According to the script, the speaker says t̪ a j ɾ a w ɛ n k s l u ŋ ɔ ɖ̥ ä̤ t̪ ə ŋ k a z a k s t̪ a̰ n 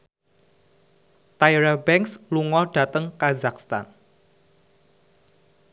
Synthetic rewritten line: t̪ a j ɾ a b ɛ ŋ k s l u ŋ ɔ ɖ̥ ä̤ t̪ ə ŋ k a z a k s t̪ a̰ n